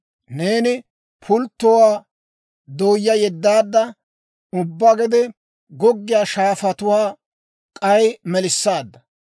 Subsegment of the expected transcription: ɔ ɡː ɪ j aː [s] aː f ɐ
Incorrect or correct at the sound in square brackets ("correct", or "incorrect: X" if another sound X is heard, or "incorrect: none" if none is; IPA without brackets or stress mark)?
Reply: incorrect: ʃ